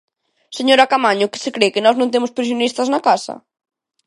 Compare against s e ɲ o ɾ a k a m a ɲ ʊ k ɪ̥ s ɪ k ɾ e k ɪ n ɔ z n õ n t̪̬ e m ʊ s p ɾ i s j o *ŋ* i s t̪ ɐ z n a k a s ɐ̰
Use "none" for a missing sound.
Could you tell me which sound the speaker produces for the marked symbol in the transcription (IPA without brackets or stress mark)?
n